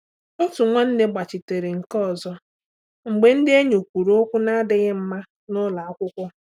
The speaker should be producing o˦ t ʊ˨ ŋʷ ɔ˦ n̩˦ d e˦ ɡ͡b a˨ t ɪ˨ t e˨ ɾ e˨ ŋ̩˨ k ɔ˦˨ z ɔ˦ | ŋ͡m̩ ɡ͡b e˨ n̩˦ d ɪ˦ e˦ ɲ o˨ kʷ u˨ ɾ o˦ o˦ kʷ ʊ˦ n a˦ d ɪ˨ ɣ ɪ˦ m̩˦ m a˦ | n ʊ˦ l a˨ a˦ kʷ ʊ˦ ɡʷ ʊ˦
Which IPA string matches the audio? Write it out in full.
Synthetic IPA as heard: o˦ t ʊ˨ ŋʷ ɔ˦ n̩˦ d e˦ ɡ͡b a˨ t͡ʃ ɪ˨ t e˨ ɾ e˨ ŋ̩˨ k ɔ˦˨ z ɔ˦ | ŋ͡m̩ ɡ͡b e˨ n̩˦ d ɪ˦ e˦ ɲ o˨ kʷ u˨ ɾ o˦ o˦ kʷ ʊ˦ n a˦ d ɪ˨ ɣ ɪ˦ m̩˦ m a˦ | n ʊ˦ l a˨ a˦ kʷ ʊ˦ kʷ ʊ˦